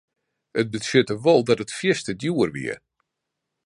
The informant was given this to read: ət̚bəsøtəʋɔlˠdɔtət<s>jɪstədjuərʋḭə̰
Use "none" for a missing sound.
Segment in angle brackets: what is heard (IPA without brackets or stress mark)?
f